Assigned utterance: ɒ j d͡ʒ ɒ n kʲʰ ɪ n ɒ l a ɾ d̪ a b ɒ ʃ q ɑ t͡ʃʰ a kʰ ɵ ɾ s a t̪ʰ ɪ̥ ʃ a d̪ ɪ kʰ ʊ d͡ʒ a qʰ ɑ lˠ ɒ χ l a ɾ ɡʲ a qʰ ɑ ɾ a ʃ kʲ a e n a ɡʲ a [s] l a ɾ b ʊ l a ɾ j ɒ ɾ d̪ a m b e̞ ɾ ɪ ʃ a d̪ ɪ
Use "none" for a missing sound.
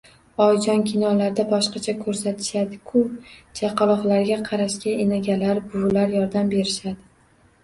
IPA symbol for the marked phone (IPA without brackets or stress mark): none